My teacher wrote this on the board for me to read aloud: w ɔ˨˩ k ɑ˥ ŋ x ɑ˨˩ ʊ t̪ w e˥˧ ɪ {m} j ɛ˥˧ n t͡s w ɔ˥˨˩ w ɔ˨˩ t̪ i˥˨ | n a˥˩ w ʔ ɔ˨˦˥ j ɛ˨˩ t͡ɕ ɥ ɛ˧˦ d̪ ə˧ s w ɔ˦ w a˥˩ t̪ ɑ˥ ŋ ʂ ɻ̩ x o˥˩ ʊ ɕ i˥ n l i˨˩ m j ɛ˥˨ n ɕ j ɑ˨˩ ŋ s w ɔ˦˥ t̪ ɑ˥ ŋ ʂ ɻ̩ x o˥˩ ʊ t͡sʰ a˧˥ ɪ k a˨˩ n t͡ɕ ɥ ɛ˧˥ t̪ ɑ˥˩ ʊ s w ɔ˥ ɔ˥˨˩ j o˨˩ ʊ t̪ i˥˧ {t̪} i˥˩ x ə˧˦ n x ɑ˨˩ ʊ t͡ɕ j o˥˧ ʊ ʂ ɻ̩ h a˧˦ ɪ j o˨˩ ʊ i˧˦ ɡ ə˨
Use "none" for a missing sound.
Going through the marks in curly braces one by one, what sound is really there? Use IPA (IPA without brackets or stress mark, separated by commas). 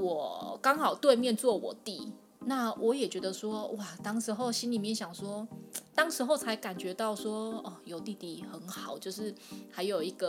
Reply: m, t̪